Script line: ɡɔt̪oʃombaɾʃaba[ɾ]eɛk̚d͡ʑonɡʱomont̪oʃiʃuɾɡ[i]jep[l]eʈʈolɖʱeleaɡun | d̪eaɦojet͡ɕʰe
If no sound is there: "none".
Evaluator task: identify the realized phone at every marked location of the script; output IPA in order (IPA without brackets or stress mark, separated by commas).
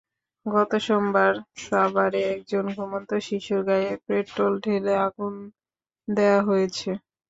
ɾ, a, ɾ